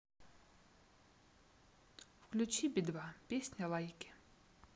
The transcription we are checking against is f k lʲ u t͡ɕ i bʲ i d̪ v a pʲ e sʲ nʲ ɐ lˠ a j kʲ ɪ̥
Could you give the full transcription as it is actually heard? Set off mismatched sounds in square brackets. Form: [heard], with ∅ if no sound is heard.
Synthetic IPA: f k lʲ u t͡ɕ i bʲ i d̪ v a pʲ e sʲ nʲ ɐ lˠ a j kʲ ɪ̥